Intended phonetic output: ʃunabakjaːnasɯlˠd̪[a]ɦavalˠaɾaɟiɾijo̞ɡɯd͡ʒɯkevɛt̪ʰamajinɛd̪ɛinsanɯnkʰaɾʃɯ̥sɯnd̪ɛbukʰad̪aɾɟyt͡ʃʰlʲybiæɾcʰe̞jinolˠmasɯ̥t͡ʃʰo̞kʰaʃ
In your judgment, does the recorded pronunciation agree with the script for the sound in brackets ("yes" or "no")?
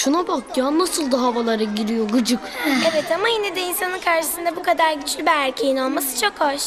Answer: yes